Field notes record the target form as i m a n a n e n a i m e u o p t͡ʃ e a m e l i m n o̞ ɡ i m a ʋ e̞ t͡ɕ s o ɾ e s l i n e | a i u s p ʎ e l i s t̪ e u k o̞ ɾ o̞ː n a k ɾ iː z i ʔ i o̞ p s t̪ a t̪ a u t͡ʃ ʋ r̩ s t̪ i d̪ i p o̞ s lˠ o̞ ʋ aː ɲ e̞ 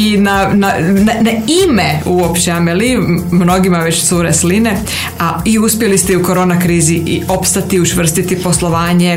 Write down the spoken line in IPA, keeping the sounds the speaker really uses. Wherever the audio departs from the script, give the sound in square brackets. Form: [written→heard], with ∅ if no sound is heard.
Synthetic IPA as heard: i [m→n] a n a n [e→a] n a i m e u o p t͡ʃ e a m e l i m n o̞ ɡ i m a ʋ e̞ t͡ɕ s [o→u] ɾ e s l i n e | a i u s p [ʎ→j] e l i s t̪ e u k o̞ ɾ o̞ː n a k ɾ iː z i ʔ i o̞ p s t̪ a t̪ [a→i] u t͡ʃ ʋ r̩ s t̪ i [d̪→t̪] i p o̞ s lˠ o̞ ʋ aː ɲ e̞